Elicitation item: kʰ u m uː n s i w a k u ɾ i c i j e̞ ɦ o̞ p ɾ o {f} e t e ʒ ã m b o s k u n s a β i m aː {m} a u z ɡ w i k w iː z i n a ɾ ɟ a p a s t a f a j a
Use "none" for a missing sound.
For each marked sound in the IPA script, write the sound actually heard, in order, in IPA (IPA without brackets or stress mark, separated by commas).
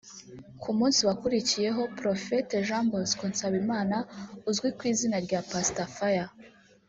f, n